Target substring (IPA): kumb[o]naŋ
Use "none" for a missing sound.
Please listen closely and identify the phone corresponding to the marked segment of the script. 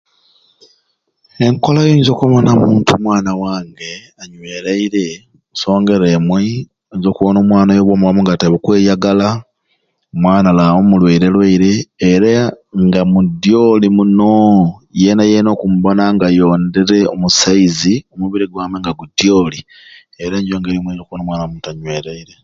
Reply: o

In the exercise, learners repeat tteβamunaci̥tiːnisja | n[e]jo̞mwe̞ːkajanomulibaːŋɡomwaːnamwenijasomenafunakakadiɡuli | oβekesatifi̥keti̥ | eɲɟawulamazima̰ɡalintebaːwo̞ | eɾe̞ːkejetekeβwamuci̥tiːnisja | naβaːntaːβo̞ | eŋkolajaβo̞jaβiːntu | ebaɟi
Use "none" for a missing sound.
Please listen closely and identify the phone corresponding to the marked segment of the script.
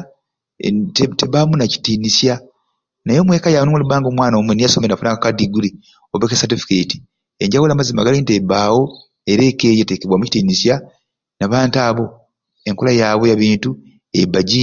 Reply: a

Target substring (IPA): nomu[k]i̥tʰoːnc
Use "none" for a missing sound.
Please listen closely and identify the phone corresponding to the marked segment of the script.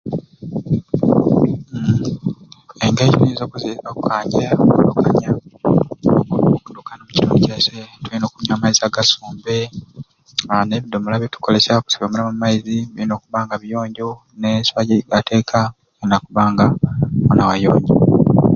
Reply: c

